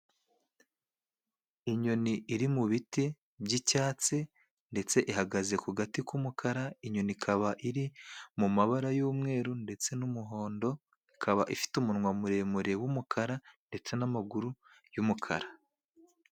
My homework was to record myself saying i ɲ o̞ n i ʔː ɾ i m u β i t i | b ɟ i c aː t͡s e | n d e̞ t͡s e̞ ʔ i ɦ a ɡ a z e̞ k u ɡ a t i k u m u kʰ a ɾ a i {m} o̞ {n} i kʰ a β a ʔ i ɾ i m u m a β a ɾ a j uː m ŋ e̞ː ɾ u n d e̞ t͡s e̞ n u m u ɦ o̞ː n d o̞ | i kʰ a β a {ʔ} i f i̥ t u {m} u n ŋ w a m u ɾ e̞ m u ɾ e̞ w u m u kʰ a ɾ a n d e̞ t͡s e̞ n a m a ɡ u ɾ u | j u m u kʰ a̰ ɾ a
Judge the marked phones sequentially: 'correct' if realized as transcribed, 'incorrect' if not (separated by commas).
incorrect, correct, correct, correct